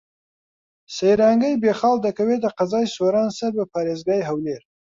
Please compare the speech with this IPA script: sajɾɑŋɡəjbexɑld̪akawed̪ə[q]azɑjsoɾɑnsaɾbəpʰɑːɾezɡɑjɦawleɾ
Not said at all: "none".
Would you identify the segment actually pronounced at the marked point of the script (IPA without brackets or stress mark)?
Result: q